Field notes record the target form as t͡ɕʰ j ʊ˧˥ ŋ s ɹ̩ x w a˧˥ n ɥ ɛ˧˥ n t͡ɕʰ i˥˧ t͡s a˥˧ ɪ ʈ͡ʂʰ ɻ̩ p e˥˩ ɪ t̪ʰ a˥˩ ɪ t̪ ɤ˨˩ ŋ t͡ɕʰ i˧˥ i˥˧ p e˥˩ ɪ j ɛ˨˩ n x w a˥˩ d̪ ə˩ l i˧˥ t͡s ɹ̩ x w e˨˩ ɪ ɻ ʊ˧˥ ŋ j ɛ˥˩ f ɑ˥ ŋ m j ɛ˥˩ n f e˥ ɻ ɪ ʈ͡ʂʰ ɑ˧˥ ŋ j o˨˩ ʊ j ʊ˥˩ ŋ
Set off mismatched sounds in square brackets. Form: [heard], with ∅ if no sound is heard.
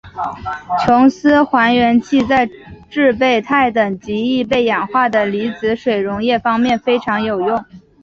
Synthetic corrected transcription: t͡ɕʰ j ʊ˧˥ ŋ s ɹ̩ x w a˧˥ n ɥ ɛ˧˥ n t͡ɕʰ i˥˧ t͡s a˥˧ ɪ [ʈ͡ʂ] ɻ̩ p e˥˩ ɪ t̪ʰ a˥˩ ɪ t̪ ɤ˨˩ ŋ [t͡ɕ] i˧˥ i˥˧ p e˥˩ ɪ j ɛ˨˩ n x w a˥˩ d̪ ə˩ l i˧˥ t͡s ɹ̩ [ʂ] w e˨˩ ɪ ɻ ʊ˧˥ ŋ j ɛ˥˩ f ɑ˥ ŋ m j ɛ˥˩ n f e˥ [∅] ɪ ʈ͡ʂʰ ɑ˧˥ ŋ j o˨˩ ʊ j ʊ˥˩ ŋ